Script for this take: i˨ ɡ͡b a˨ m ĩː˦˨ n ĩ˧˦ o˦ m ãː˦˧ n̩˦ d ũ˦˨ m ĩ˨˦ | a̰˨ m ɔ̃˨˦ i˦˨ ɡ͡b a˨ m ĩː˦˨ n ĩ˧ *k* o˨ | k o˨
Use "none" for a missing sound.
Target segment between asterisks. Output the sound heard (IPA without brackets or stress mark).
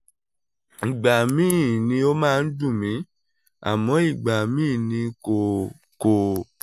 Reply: k